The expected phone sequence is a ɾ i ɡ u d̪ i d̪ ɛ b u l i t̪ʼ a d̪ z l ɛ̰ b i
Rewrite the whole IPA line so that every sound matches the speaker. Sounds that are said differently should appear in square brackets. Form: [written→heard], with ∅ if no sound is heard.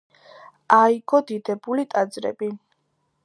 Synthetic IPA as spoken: a [ɾ→∅] i ɡ [u→ɔ] d̪ i d̪ ɛ b u l i t̪ʼ a d̪ z [l→ɾ] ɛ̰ b i